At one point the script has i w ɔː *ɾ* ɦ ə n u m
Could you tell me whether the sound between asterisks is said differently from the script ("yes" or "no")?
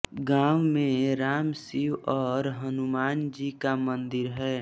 no